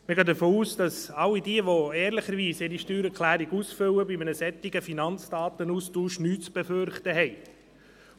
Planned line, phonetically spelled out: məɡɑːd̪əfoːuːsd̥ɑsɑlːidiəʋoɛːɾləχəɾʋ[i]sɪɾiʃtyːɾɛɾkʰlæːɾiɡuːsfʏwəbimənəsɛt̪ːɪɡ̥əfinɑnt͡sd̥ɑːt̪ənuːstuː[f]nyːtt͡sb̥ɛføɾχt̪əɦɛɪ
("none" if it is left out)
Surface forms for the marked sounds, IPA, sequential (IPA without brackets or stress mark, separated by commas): iː, ʃ